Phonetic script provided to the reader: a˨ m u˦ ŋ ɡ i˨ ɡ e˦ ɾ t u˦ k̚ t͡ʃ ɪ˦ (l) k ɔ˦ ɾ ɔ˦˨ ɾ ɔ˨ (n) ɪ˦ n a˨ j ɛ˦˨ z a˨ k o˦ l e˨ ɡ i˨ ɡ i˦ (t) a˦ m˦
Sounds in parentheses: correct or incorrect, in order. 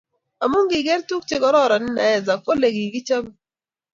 incorrect: none, correct, incorrect: t͡ʃ

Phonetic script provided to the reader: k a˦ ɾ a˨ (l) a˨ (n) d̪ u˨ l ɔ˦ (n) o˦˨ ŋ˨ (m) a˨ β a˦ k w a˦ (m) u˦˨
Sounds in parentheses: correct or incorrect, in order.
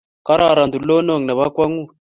incorrect: ɾ, correct, correct, incorrect: n, incorrect: ŋ

